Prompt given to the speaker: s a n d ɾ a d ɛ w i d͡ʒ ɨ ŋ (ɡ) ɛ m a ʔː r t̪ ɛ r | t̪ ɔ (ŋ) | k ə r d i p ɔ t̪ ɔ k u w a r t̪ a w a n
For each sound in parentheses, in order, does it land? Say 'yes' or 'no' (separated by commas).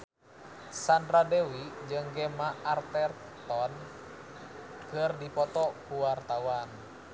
yes, no